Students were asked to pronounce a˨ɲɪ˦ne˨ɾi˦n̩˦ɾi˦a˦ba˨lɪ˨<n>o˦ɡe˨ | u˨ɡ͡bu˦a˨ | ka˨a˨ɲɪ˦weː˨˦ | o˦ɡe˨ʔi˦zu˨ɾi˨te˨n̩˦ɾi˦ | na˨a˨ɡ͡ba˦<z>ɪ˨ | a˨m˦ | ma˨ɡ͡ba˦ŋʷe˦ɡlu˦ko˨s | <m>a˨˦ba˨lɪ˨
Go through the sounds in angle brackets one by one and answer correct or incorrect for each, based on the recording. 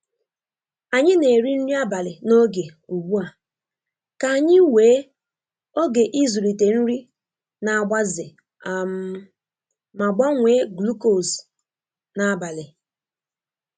correct, correct, incorrect: n

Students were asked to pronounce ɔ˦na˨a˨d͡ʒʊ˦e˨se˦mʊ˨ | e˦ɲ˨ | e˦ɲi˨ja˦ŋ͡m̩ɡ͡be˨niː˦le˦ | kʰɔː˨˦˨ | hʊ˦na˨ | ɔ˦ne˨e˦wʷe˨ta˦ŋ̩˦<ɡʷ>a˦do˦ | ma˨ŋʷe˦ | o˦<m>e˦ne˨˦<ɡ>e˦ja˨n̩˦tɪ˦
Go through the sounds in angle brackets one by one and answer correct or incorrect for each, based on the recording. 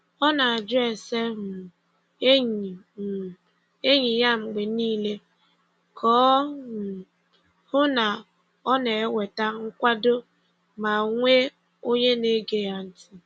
incorrect: kʷ, incorrect: ɲ, correct

